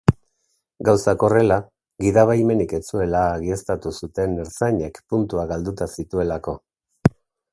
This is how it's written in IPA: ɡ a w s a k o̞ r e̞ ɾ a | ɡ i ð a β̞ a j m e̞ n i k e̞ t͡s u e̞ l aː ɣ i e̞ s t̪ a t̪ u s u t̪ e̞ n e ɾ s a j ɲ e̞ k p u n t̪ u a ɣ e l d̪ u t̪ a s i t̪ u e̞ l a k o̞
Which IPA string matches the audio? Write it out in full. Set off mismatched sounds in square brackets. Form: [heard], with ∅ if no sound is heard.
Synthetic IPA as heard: ɡ a w s a k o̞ r e̞ [l] a | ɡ i ð a β̞ a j m e̞ n i k e̞ t͡s u e̞ l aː ɣ i e̞ s t̪ a t̪ u s u t̪ e̞ n e ɾ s a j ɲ e̞ k p u n t̪ u a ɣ [a] l d̪ u t̪ a s i t̪ u e̞ l a k o̞

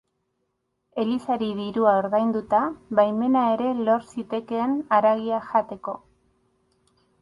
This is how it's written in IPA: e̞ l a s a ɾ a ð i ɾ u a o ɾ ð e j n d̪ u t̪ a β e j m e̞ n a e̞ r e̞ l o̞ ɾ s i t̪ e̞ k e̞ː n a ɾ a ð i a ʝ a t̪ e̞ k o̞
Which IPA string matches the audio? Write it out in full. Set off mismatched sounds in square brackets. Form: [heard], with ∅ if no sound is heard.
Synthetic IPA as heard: e̞ l [i] s a ɾ [i] ð i ɾ u a o ɾ ð [a] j n d̪ u t̪ a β [a] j m e̞ n a e̞ [ɾ] e̞ l o̞ ɾ s i t̪ e̞ k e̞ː n a ɾ a [ɣ] i a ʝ a t̪ e̞ k o̞

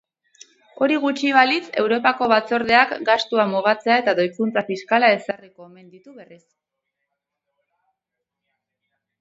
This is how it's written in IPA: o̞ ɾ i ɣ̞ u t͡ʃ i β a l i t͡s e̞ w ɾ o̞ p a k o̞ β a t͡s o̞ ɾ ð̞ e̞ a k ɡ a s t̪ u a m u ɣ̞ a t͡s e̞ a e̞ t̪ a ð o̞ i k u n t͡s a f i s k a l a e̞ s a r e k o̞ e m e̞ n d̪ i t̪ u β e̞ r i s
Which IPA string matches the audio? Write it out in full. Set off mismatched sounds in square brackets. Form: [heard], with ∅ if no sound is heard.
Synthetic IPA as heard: o̞ ɾ i ɣ̞ u t͡ʃ i β a l i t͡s e̞ w ɾ o̞ p a k o̞ β a t͡s o̞ ɾ ð̞ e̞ a k ɡ a s t̪ u a m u ɣ̞ a t͡s e̞ a e̞ t̪ a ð o̞ [j] k u n t͡s a f i s k a l a e̞ s a r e k o̞ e m e̞ n d̪ i t̪ u β e̞ r i s

